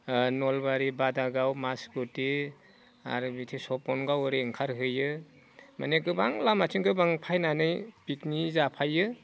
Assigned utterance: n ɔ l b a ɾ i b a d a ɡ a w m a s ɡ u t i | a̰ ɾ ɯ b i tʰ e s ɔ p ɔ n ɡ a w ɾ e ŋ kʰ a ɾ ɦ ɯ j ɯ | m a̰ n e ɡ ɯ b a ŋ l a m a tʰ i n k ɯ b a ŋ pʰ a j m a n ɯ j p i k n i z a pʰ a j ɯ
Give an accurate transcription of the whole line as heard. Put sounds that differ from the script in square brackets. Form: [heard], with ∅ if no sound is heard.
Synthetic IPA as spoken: n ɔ l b a ɾ i b a d a ɡ a w m a s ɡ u t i | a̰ ɾ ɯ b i tʰ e s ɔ p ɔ n ɡ a w ɾ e ŋ kʰ a ɾ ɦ ɯ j ɯ | m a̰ n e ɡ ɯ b a ŋ l a m a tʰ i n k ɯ b a ŋ pʰ a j [n] a n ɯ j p i k n i z a pʰ a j ɯ

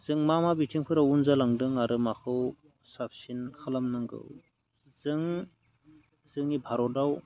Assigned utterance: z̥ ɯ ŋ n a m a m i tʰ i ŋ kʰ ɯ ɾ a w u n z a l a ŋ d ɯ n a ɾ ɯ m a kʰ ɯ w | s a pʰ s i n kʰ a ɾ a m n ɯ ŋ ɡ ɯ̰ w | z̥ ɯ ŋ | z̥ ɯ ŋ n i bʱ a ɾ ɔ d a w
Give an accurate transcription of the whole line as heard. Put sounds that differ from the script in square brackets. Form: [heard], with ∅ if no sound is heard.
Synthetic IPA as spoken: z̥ ɯ ŋ [m] a m a [b] i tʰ i ŋ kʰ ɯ ɾ a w u n z a l a ŋ d ɯ [ŋ] a ɾ ɯ m a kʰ ɯ w | s a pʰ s i n kʰ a [l] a m n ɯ ŋ ɡ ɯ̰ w | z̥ ɯ ŋ | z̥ ɯ ŋ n i bʱ a ɾ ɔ d a w

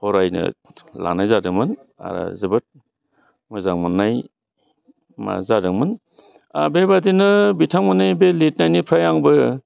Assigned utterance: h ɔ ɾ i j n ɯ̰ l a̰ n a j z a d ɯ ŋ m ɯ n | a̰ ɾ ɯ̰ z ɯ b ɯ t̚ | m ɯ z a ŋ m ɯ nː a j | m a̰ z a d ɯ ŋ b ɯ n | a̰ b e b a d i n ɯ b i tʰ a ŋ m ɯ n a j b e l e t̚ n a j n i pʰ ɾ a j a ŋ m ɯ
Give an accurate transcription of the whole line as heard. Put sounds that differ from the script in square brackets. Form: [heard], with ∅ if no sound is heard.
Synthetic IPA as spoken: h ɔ ɾ [a] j n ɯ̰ l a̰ n a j z a d ɯ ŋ m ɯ n | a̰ ɾ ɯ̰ z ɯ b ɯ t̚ | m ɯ z a ŋ m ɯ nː a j | m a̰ z a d ɯ ŋ [m] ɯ n | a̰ b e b a d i n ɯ b i tʰ a ŋ m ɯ n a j b e l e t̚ n a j n i pʰ ɾ a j a ŋ [b] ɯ

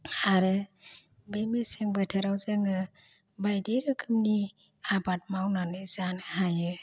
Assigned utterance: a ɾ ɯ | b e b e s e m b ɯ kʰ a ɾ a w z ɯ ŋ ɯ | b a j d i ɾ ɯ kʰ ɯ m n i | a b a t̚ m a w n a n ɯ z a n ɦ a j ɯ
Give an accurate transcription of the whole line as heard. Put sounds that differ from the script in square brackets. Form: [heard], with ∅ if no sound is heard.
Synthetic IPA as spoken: a ɾ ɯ | b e [m] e s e [ŋ] b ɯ [tʰ] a ɾ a w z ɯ ŋ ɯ | b a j d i ɾ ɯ kʰ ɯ m n i | a b a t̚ m a w n a n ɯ z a n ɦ a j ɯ

